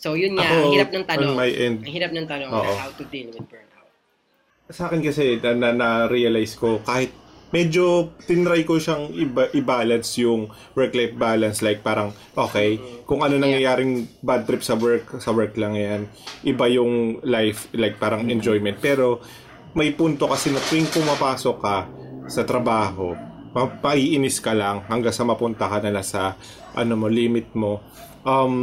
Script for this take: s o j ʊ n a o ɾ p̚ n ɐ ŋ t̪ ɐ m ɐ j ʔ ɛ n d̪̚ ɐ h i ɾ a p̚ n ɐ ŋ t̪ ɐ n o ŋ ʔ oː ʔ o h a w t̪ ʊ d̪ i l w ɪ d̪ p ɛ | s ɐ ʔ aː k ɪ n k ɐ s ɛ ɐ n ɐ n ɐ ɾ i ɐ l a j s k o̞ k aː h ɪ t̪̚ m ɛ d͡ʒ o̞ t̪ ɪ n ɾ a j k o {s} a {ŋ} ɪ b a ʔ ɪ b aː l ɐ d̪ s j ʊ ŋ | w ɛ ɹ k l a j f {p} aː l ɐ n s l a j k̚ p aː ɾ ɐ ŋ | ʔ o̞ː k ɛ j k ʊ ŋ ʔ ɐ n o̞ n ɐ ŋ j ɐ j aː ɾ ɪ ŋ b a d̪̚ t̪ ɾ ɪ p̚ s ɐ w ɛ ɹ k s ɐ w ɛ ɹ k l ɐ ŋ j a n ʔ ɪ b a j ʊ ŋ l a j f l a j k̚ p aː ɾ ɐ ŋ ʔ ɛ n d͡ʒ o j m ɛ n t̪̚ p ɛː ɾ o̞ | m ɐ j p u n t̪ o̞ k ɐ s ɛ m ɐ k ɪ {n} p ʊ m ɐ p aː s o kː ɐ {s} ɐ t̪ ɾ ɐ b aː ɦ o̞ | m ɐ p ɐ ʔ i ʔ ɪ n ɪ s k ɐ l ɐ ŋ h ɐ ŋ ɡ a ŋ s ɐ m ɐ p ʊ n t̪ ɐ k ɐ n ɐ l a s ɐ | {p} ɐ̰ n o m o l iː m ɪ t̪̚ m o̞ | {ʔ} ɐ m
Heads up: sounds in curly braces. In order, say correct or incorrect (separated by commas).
incorrect, correct, incorrect, incorrect, correct, incorrect, correct